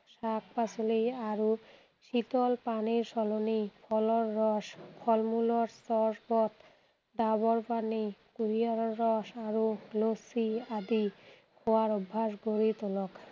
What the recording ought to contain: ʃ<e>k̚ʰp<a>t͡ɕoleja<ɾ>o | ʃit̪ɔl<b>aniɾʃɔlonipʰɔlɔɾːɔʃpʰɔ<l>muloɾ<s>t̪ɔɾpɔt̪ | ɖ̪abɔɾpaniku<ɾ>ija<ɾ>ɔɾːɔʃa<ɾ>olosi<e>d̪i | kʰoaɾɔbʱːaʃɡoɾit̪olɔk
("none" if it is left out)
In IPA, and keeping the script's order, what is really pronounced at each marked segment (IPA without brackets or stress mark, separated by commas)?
a, a, ɾ, p, l, s, ɾ, ɾ, ɾ, a